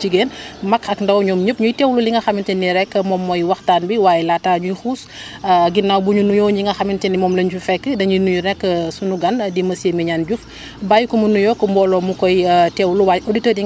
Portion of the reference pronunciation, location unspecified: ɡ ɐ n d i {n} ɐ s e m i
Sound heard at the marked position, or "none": m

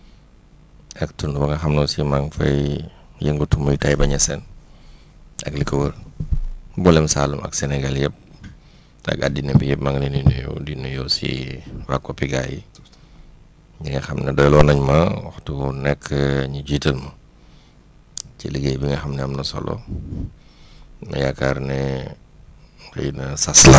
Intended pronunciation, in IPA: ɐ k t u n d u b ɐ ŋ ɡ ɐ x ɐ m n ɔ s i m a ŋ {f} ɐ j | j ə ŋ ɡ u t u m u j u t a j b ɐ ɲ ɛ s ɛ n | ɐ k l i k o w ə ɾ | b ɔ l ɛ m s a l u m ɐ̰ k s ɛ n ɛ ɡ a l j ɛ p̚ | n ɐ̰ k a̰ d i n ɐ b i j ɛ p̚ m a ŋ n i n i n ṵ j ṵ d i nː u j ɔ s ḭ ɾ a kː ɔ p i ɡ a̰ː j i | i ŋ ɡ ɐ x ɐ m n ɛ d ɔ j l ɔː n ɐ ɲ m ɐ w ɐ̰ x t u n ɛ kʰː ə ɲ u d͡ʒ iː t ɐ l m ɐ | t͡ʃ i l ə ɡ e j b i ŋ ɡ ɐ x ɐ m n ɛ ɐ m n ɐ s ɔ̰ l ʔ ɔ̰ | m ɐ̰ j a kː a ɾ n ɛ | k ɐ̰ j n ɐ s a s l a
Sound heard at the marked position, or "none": f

